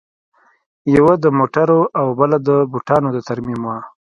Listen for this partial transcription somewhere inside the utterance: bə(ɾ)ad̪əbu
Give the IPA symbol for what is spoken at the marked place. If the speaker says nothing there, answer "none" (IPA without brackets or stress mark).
l